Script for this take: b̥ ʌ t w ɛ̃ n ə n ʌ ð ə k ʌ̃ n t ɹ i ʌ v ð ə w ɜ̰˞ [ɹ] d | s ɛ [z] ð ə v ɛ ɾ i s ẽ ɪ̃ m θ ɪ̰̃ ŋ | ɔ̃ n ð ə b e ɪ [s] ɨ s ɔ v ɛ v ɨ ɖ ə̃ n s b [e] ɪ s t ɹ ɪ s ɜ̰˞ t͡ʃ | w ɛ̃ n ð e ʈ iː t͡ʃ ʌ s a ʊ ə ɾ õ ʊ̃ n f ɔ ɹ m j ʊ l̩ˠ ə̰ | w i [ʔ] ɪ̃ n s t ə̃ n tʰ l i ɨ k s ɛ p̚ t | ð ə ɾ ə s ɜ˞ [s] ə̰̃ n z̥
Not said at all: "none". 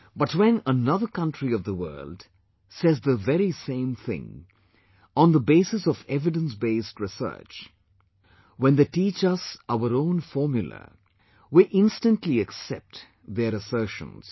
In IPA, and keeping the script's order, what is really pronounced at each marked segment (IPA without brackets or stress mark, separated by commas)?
l, z, s, e, ʔ, ʃ